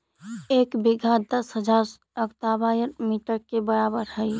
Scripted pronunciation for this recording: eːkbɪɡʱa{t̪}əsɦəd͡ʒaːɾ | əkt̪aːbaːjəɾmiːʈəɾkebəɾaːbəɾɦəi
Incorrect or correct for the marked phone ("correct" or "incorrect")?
incorrect